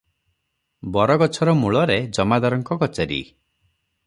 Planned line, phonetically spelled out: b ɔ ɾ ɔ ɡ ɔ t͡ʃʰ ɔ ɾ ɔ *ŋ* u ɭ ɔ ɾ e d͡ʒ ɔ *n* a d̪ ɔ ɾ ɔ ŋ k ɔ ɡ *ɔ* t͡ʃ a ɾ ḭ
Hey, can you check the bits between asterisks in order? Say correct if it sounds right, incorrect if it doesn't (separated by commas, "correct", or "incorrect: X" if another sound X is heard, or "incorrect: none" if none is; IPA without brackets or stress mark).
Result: incorrect: m, incorrect: m, correct